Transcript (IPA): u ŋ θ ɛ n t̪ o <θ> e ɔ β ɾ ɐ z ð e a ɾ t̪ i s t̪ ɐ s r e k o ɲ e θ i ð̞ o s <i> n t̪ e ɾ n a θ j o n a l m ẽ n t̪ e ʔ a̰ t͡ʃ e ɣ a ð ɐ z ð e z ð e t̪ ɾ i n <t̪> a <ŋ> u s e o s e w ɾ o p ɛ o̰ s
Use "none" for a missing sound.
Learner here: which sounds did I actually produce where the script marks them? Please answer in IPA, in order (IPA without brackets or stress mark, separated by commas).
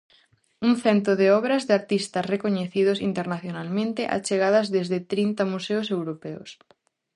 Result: ð, i, t̪, m